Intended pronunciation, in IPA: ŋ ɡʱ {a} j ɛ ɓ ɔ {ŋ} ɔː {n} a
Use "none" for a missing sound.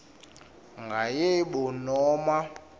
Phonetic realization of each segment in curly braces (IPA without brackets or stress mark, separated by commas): a, n, m